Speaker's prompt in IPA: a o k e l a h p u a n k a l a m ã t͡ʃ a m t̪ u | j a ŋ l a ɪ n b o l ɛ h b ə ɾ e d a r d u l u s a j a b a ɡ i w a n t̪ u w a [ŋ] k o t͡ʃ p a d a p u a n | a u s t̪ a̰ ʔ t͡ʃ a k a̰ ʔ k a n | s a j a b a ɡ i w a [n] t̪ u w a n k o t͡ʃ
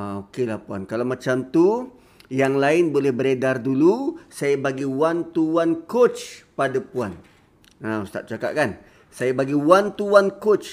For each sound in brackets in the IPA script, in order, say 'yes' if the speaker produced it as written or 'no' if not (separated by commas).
no, yes